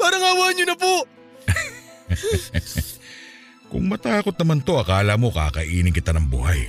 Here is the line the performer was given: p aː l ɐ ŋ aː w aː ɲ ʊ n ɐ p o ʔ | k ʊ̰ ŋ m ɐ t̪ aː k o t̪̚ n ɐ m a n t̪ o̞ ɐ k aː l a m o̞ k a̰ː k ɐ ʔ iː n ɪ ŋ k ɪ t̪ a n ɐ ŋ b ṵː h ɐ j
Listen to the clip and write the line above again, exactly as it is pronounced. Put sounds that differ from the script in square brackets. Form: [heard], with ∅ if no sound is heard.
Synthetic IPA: p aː [ɾ] ɐ ŋ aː w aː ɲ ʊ n ɐ p o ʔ | k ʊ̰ ŋ m ɐ t̪ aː k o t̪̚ n ɐ m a n t̪ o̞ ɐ k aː l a m o̞ k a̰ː k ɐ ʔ iː n ɪ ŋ k ɪ t̪ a n ɐ ŋ b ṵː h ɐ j